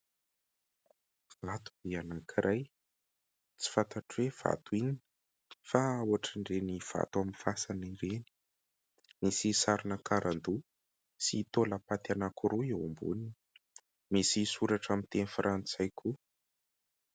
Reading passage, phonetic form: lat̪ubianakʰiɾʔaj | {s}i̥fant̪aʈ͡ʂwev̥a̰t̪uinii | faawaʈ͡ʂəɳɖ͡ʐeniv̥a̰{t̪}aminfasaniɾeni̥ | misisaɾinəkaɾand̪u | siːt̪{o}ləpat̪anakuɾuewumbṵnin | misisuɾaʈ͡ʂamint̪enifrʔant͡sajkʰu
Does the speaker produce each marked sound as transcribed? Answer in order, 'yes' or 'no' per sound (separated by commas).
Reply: no, yes, yes